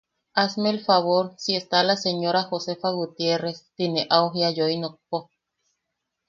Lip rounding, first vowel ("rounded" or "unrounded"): unrounded